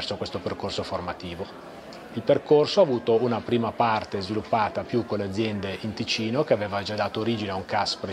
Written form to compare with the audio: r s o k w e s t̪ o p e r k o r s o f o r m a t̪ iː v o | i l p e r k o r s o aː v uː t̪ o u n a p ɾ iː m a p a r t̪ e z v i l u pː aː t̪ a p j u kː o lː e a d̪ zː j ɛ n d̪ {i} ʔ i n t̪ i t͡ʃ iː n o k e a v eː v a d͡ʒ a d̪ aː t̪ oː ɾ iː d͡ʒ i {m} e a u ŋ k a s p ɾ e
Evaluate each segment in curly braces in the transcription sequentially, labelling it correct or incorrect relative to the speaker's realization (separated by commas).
incorrect, incorrect